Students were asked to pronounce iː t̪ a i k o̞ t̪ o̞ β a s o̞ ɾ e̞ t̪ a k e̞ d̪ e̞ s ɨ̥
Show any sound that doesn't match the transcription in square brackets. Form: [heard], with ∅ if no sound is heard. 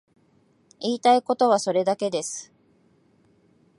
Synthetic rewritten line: iː t̪ a i k o̞ t̪ o̞ β a s o̞ ɾ e̞ [d̪] a k e̞ d̪ e̞ s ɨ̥

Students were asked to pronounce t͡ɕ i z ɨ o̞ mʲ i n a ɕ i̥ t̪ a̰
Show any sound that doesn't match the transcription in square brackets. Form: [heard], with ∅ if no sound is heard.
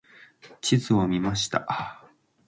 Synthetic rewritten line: t͡ɕ i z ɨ o̞ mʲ i [m] a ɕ i̥ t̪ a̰

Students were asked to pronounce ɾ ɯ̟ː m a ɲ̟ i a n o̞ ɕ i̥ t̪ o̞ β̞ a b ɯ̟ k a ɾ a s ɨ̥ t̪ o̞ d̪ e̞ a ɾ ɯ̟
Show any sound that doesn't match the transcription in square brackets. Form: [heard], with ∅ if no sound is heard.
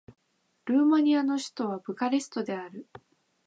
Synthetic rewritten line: ɾ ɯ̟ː m a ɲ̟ i a n o̞ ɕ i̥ t̪ o̞ β̞ a b ɯ̟ k a ɾ [e] s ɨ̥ t̪ o̞ d̪ e̞ a ɾ ɯ̟

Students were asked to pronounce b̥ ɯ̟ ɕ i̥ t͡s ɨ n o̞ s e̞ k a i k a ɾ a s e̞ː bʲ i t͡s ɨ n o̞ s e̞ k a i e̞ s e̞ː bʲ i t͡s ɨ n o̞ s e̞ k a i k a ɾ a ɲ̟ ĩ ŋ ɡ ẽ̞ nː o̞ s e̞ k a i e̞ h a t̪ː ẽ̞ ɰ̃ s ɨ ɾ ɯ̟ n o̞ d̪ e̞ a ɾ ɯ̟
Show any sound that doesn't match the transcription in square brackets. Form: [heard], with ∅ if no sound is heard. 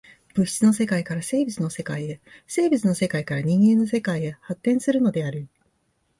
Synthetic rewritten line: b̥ ɯ̟ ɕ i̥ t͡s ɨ n o̞ s e̞ k a i k a ɾ a s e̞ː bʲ i t͡s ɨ n o̞ s e̞ k a i e̞ s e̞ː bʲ i t͡s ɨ n o̞ s e̞ k a i k a ɾ a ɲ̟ ĩ ŋ ɡ ẽ̞ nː o̞ s e̞ k a i e̞ h a t̪ː ẽ̞ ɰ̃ s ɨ ɾ ɯ̟ n o̞ d̪ e̞ a ɾ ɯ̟

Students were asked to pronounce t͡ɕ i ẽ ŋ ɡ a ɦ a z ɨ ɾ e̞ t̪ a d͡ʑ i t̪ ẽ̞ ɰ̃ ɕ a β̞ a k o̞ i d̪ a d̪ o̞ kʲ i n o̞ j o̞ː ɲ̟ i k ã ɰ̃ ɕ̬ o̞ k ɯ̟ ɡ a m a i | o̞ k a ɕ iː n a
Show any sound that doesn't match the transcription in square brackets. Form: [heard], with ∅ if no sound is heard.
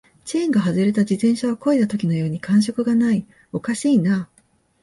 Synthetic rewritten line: t͡ɕ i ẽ ŋ ɡ a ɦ a z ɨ ɾ e̞ t̪ a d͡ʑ i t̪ ẽ̞ ɰ̃ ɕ a β̞ a k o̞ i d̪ a [t̪] o̞ kʲ i n o̞ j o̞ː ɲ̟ i k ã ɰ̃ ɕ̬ o̞ k ɯ̟ ɡ a [n] a i | o̞ k a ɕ iː n a

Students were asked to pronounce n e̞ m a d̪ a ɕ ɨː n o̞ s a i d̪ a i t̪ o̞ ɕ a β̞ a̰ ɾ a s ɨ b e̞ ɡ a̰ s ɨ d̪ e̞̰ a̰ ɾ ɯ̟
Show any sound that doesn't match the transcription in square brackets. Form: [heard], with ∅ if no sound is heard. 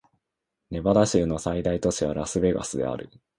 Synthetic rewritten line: n e̞ [b] a d̪ a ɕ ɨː n o̞ s a i d̪ a i t̪ o̞ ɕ [i] β̞ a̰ ɾ a s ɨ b e̞ ɡ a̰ s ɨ d̪ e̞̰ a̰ ɾ ɯ̟

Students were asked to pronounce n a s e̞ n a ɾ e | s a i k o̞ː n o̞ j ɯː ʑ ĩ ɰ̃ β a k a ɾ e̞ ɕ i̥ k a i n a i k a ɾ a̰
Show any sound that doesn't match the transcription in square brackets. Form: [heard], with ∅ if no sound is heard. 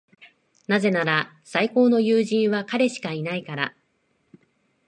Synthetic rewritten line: n a [z] e̞ n a ɾ [a] | s a i k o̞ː n o̞ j ɯː ʑ ĩ ɰ̃ β a k a ɾ e̞ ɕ i̥ k a i n a i k a ɾ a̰

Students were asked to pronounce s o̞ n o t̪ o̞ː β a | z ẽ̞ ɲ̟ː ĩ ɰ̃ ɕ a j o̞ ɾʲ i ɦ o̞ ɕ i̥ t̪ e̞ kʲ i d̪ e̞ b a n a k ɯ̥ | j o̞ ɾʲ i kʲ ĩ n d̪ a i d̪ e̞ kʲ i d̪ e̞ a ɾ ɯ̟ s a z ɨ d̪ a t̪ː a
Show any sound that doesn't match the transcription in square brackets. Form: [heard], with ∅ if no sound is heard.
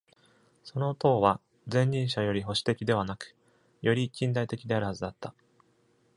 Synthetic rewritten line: s o̞ n o t̪ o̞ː β a | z ẽ̞ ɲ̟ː ĩ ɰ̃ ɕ a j o̞ ɾʲ i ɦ o̞ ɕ i̥ t̪ e̞ kʲ i d̪ e̞ [β] a n a k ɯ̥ | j o̞ ɾʲ i kʲ ĩ n d̪ a i [t̪] e̞ kʲ i d̪ e̞ a ɾ ɯ̟ [h] a z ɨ d̪ a t̪ː a

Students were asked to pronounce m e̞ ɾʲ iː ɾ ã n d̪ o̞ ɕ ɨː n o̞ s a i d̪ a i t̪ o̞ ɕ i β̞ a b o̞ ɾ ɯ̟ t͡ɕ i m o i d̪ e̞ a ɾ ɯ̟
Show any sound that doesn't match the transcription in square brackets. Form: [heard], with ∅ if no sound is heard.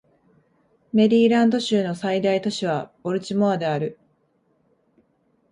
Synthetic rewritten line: m e̞ ɾʲ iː ɾ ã n d̪ o̞ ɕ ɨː n o̞ s a i d̪ a i t̪ o̞ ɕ i β̞ a b o̞ ɾ ɯ̟ t͡ɕ i m o [a] d̪ e̞ a ɾ ɯ̟

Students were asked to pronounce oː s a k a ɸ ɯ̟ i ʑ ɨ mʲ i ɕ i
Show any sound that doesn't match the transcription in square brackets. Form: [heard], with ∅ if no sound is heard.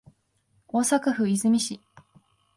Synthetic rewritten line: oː s a k a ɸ ɯ̟ i [z] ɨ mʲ i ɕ i

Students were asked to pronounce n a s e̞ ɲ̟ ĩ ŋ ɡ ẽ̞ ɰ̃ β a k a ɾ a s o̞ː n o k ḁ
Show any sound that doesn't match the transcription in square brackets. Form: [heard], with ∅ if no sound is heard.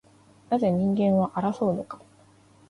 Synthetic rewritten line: n a [z] e̞ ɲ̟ ĩ ŋ ɡ ẽ̞ ɰ̃ β a [ʔ] a ɾ a s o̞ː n o k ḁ

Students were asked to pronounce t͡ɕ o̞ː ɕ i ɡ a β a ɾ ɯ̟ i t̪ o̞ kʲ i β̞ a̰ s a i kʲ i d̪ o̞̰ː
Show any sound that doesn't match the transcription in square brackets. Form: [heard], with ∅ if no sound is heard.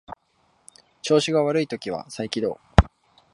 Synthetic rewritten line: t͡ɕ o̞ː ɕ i ɡ a β a ɾ ɯ̟ i t̪ o̞ kʲ i β̞ a̰ s a i kʲ i d̪ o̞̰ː

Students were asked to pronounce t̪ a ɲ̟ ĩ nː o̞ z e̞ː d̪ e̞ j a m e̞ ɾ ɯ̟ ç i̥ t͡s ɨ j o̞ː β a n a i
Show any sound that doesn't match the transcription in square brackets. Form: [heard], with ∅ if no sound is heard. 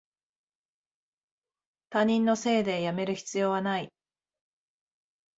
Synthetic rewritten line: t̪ a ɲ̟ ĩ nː o̞ [s] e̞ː d̪ e̞ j a m e̞ ɾ ɯ̟ ç i̥ t͡s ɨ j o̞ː β a n a i

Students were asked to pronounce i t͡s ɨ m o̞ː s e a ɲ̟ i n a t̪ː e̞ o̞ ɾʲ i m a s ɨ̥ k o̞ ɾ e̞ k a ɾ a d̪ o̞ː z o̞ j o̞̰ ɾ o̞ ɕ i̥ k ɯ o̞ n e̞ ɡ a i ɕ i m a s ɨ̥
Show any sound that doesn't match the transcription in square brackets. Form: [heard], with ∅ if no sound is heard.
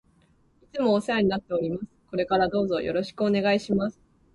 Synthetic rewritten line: i t͡s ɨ m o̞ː s e a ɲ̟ i n a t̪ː e̞ o̞ ɾʲ i m a s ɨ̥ k o̞ ɾ e̞ k a ɾ a d̪ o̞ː z o̞ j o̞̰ ɾ o̞ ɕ i̥ k ɯ o̞ n e̞ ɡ a i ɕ i m a s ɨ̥

